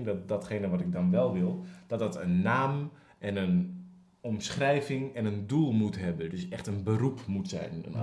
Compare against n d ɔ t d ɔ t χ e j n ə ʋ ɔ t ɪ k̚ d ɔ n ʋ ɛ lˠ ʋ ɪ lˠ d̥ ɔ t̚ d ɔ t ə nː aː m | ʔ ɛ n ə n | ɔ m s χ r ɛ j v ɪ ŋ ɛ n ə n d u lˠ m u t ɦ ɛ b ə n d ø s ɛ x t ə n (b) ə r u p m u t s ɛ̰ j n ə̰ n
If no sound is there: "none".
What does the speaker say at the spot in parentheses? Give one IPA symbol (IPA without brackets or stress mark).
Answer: b